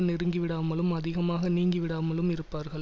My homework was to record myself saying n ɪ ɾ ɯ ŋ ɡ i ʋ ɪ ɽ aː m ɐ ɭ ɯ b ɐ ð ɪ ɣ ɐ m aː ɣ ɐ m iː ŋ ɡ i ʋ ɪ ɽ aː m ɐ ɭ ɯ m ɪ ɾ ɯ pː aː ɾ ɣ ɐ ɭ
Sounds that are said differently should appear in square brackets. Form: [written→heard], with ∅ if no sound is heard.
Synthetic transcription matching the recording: n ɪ ɾ ɯ ŋ ɡ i ʋ ɪ ɽ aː m ɐ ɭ ɯ [b→m] ɐ ð ɪ ɣ ɐ m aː ɣ ɐ [m→n] iː ŋ ɡ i ʋ ɪ ɽ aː m ɐ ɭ ɯ m ɪ ɾ ɯ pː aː ɾ ɣ ɐ ɭ